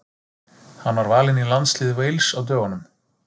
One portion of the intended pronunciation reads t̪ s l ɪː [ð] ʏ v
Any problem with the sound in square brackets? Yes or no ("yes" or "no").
no